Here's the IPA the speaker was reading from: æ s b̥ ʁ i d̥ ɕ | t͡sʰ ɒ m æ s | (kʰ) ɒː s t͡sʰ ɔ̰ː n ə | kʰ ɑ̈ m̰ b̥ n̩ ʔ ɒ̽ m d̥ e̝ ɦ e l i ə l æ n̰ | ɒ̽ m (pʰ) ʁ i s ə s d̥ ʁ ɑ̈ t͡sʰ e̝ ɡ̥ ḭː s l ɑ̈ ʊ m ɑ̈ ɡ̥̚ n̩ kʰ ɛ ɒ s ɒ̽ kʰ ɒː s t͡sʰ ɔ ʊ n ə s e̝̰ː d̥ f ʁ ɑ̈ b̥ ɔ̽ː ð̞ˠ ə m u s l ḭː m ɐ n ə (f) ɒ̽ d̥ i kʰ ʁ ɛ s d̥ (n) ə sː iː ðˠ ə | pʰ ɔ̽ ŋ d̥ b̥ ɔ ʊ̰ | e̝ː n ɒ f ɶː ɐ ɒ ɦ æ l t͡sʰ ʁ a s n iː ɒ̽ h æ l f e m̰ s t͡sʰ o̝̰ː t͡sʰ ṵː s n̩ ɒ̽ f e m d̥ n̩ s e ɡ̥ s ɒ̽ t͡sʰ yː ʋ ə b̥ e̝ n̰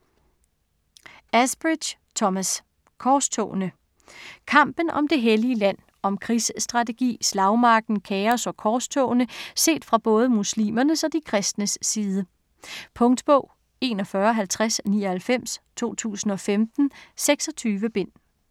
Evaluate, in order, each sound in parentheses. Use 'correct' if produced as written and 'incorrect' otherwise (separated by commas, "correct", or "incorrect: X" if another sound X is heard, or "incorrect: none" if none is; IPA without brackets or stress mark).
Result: correct, incorrect: kʰ, incorrect: s, correct